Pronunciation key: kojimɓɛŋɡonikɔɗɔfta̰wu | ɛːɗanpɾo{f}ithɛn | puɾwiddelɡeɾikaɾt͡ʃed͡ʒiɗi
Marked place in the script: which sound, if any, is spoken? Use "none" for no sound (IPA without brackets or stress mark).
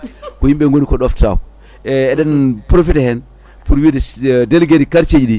f